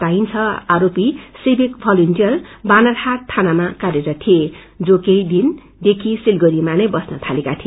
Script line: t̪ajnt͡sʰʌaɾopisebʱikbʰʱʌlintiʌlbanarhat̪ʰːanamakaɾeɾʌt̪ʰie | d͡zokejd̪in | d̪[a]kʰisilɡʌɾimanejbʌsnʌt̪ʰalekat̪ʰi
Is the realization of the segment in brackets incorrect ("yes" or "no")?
yes